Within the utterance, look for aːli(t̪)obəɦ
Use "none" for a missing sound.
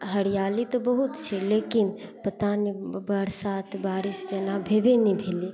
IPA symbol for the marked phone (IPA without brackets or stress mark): t̪